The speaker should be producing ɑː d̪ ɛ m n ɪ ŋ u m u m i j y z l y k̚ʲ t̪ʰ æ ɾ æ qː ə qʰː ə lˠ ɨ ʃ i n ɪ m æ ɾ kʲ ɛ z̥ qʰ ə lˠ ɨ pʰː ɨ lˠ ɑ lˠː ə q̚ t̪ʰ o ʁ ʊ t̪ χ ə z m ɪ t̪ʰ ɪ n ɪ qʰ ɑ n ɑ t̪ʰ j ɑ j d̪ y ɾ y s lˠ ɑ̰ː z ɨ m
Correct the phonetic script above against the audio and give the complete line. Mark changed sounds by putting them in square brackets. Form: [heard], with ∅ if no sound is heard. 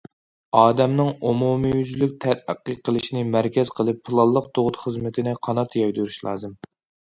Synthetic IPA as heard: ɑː d̪ ɛ m n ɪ ŋ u m u m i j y z l y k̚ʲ t̪ʰ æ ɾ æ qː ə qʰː ə lˠ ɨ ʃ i n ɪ m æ ɾ kʲ ɛ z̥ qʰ ə lˠ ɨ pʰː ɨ lˠ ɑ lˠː ə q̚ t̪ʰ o ʁ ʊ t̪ χ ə z m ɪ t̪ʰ ɪ n ɪ qʰ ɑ n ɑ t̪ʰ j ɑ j d̪ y ɾ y [ʃ] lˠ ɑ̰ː z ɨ m